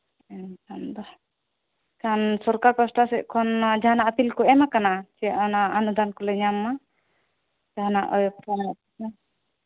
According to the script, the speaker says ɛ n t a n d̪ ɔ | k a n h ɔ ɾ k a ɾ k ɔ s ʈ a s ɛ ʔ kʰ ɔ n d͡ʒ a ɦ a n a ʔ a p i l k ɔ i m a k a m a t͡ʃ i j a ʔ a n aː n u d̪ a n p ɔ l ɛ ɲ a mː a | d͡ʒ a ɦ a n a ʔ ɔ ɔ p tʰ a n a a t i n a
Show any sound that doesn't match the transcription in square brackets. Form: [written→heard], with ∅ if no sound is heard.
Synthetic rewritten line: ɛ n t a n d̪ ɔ | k a n [h→s] ɔ ɾ k a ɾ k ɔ s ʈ a s ɛ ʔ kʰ ɔ n d͡ʒ a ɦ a n a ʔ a p i l k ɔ [i→ɛ] m a k a [m→n] a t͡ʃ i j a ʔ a n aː n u d̪ a n [p→k] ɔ l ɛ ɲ a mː a | d͡ʒ a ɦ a n a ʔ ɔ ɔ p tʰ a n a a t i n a